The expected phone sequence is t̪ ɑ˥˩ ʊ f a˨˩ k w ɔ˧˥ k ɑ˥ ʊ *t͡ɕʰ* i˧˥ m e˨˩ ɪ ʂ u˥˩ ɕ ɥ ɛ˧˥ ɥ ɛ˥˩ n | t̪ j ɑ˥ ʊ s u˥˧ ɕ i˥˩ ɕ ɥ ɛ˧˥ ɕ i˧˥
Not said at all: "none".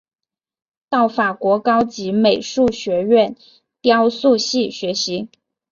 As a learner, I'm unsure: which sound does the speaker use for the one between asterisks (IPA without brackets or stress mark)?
t͡ɕ